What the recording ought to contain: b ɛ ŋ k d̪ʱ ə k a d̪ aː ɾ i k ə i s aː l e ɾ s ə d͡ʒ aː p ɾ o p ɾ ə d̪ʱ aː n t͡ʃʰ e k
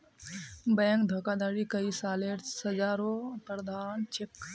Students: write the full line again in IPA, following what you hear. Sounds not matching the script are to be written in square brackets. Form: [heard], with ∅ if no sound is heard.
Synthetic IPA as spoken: b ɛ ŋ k d̪ʱ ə k a d̪ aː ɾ i k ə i s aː l e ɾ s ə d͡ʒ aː [∅] ɾ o p ɾ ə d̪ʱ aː n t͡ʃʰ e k